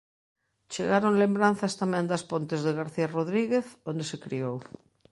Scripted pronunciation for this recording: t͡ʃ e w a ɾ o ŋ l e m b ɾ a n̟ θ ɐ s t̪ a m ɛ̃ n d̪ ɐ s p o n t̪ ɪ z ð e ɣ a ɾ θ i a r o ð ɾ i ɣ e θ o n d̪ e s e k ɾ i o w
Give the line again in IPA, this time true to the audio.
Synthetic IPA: t͡ʃ e ɣ a ɾ o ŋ l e m b ɾ a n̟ θ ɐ s t̪ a m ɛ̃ n d̪ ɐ s p o n t̪ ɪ z ð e ɣ a ɾ θ i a r o ð ɾ i ɣ e θ o n d̪ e s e k ɾ i o w